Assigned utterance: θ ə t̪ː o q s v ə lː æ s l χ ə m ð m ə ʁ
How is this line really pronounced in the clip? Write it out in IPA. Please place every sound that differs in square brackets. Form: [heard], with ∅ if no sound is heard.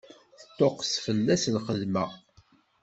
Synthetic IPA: θ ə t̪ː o q s [f] ə lː æ s l χ ə [∅] ð m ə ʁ